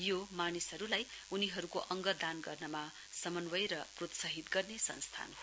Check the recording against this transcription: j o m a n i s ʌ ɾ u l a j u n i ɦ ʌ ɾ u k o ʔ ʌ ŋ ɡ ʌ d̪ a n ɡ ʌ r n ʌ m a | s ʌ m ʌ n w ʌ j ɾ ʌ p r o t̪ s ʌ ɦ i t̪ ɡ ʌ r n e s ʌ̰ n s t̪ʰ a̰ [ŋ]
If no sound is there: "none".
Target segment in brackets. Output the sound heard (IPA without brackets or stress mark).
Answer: n